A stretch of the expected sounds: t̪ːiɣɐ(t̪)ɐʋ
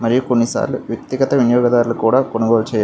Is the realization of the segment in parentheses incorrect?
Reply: no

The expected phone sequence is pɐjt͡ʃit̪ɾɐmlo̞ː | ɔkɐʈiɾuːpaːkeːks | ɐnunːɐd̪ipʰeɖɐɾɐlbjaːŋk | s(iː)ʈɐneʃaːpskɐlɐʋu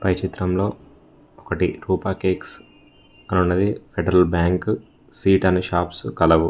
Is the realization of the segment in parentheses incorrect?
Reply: no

